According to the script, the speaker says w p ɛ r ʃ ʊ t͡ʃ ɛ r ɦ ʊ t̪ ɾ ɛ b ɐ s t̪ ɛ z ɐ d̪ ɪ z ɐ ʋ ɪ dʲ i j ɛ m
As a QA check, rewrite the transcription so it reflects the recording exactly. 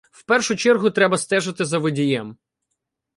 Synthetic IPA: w p ɛ r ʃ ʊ t͡ʃ ɛ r ɦ ʊ t̪ ɾ ɛ b ɐ s t̪ ɛ ʒ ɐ t̪ ɪ z ɐ ʋ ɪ dʲ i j ɛ m